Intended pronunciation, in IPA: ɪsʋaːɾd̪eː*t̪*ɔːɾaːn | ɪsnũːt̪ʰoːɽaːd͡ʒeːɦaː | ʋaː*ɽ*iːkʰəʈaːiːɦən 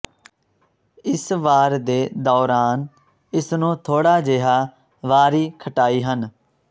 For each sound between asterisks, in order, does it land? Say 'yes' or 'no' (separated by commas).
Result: no, no